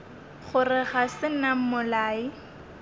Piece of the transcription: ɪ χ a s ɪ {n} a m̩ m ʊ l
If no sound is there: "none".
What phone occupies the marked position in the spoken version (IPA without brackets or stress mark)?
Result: n